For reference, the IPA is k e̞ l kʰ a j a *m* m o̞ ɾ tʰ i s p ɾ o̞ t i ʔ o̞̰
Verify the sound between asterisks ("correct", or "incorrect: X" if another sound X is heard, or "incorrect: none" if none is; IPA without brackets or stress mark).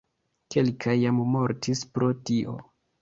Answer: correct